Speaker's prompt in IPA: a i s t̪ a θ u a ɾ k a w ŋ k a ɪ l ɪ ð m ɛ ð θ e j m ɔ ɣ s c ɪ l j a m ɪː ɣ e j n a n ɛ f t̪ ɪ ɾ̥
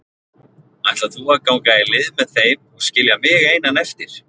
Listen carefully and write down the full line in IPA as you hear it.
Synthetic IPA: a j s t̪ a θ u a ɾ k a w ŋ k a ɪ l ɪ ð m ɛ ð θ e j m ɔ ɣ s c ɪ l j a m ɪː ɣ e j n a n ɛ f t̪ ɪ ɾ̥